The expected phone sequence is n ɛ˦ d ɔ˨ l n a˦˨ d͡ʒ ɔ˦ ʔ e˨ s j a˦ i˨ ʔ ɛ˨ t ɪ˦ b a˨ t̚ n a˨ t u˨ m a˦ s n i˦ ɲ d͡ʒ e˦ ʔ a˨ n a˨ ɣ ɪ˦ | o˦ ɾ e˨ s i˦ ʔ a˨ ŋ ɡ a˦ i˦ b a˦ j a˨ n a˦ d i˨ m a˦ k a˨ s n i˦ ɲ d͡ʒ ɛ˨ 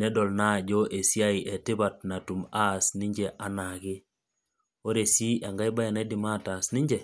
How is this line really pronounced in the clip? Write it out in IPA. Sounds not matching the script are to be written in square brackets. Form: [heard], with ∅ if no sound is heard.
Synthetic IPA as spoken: n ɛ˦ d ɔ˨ l n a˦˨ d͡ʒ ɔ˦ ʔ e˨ s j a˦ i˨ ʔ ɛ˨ t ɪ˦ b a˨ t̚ n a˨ t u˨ m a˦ s n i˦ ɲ d͡ʒ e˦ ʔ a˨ n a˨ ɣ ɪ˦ | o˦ ɾ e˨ s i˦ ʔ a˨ ŋ ɡ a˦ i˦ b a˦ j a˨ n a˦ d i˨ m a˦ [t] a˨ s n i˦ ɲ d͡ʒ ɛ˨